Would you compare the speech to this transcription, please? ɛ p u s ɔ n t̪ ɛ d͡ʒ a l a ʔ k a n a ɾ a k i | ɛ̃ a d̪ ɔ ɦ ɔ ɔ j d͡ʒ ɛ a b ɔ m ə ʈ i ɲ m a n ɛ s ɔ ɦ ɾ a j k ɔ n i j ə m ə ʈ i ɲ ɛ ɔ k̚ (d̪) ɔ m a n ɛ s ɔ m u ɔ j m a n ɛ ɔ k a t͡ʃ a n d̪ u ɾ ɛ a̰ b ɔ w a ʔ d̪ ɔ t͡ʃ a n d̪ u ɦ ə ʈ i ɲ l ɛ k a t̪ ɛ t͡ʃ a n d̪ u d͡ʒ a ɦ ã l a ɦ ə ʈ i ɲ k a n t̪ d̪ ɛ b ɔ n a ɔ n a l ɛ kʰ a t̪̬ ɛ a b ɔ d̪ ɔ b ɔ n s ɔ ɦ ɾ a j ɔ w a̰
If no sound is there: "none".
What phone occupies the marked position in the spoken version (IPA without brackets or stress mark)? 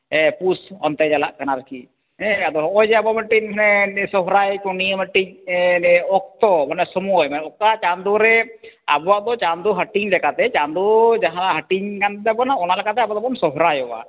t̪